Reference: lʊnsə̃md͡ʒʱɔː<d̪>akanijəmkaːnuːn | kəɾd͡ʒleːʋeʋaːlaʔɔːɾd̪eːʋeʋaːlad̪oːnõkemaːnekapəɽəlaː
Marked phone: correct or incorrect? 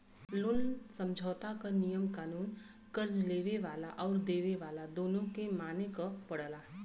incorrect